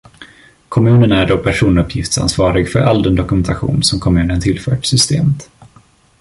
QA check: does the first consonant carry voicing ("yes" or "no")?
no